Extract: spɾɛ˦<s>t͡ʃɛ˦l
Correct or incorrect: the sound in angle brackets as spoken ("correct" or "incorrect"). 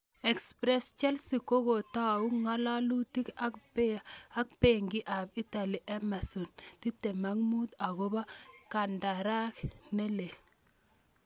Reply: correct